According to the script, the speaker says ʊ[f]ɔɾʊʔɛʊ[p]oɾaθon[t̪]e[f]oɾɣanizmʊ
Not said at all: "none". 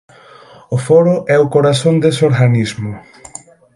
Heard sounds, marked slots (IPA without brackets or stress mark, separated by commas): f, k, d̪, s